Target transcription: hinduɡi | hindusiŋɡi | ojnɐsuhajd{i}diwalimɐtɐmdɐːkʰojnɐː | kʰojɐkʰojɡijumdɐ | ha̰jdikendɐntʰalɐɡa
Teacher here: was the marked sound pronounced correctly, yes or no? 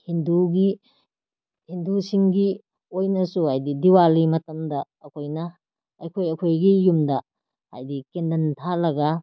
yes